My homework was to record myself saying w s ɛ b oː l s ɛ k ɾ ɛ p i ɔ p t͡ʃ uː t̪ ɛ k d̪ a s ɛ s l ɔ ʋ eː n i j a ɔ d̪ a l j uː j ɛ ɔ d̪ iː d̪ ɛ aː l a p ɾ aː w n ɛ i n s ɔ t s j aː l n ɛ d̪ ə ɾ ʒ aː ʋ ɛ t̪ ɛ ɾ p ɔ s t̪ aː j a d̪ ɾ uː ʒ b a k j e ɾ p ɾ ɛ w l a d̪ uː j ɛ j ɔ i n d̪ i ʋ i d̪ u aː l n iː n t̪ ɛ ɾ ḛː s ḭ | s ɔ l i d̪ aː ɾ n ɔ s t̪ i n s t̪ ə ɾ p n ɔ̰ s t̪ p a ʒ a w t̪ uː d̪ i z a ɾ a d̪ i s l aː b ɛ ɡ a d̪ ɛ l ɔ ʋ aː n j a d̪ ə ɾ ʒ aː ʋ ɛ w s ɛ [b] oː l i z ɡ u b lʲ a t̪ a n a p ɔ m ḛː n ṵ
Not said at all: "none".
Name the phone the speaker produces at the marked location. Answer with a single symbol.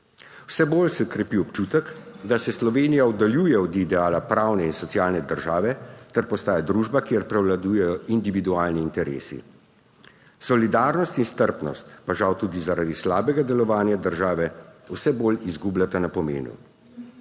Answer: b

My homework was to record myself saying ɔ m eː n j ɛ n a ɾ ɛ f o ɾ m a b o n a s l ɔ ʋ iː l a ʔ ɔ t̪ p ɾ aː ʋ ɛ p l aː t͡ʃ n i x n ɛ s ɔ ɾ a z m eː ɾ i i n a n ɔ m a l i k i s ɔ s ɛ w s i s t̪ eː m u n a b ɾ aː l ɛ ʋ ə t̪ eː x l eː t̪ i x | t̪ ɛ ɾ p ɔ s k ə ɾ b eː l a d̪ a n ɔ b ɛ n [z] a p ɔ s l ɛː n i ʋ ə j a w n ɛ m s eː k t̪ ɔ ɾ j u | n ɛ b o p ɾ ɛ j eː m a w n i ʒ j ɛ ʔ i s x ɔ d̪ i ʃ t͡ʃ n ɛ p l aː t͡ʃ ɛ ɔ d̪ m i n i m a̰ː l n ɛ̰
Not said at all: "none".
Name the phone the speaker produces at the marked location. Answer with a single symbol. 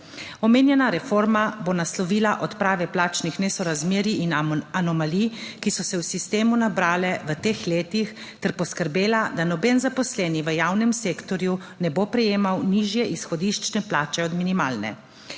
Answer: z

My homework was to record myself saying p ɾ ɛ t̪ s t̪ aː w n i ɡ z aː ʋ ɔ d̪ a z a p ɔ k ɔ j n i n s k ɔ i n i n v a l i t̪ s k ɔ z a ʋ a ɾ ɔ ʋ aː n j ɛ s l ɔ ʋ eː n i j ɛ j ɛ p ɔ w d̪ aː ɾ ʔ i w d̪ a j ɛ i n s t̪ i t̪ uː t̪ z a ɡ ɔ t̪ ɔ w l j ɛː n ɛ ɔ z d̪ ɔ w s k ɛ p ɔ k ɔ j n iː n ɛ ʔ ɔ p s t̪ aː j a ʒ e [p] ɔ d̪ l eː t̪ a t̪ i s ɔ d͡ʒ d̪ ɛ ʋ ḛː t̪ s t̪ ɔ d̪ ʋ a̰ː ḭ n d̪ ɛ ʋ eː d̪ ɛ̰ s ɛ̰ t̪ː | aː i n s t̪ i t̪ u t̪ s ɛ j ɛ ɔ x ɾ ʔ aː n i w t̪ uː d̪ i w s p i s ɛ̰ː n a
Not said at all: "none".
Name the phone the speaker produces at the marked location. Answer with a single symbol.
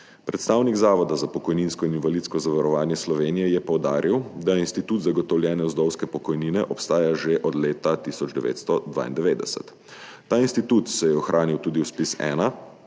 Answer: ʔ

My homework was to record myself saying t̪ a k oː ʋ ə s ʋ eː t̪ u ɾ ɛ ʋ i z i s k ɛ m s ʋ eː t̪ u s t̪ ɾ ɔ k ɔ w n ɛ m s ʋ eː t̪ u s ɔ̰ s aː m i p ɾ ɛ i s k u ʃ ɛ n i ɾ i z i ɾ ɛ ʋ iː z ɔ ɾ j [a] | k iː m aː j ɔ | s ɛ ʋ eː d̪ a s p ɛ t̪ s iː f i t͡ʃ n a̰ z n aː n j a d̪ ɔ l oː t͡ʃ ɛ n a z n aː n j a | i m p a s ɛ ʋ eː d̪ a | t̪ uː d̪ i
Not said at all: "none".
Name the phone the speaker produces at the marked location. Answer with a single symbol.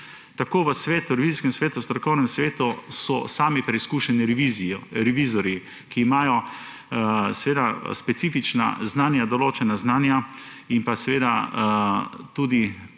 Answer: i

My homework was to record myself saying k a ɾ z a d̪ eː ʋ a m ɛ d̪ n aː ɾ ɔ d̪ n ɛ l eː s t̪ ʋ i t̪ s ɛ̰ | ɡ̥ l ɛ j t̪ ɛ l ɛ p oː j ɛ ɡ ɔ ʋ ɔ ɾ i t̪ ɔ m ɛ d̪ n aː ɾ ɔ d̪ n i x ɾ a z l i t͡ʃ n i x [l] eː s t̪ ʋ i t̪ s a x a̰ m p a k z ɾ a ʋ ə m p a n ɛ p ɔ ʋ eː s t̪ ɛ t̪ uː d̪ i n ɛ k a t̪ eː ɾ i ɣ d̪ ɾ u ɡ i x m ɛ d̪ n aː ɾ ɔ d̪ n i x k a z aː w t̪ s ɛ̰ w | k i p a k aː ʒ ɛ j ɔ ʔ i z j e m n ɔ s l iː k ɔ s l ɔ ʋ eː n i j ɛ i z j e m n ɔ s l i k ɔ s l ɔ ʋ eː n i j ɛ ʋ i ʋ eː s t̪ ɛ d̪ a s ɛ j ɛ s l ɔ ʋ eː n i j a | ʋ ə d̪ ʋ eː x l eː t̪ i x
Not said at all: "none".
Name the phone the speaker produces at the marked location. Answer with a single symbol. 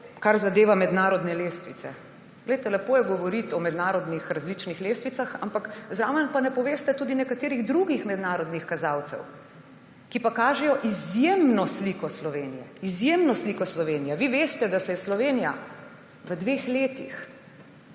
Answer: l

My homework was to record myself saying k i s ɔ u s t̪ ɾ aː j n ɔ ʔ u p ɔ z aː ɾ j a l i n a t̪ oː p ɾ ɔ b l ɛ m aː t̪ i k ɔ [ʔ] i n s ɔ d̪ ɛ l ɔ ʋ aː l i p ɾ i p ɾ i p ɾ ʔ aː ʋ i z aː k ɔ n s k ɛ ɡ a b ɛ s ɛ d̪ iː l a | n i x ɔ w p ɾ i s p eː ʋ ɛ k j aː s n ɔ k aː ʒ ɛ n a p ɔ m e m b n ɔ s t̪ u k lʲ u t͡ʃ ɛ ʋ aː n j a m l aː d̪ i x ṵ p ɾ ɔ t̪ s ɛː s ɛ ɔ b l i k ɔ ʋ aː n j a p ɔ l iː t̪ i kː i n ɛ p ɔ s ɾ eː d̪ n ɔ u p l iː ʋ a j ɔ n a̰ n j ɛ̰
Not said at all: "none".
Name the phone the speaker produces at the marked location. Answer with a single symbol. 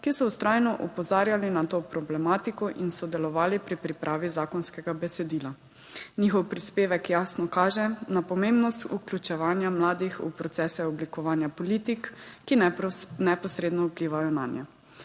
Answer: ʔ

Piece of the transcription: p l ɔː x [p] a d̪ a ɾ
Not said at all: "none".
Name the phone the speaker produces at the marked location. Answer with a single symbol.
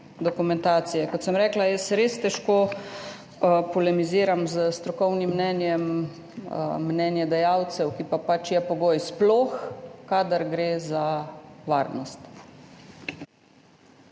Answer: k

